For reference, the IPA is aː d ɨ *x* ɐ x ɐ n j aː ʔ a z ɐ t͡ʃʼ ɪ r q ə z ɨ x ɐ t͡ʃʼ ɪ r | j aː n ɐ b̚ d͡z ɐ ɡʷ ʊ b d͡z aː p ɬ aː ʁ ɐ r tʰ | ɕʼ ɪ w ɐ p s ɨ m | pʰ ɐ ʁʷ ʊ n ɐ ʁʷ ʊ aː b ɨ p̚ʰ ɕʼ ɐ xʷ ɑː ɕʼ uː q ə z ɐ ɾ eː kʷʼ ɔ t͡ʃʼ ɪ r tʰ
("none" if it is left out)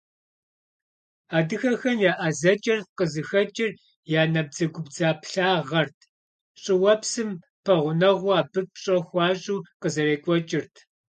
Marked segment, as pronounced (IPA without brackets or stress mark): x